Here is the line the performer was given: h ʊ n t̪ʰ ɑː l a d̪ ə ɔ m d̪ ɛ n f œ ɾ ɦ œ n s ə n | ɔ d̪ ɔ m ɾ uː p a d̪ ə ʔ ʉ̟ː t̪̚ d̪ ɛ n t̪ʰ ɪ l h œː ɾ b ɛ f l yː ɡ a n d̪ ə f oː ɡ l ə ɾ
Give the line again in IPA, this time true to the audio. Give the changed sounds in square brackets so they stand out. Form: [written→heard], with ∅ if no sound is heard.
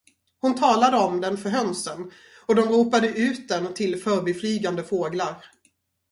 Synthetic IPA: h ʊ n t̪ʰ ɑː l a d̪ ə ɔ m d̪ ɛ n f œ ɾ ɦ œ n s ə n | ɔ d̪ ɔ m ɾ uː p a d̪ ə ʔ ʉ̟ː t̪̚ d̪ ɛ n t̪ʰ ɪ l [h→f] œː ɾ b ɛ f l yː ɡ a n d̪ ə f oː ɡ l [ə→a] ɾ